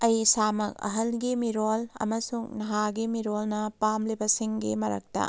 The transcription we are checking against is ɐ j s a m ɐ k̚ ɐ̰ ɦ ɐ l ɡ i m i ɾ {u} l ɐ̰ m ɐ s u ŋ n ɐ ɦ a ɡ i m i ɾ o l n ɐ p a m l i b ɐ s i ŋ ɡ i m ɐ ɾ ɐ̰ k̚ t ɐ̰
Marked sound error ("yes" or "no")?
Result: yes